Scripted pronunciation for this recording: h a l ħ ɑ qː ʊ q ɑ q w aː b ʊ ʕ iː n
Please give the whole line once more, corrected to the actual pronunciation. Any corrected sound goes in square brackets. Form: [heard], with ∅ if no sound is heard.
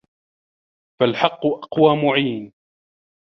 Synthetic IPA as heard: [f] a l ħ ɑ qː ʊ [ʔ] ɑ q w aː [m] ʊ ʕ iː n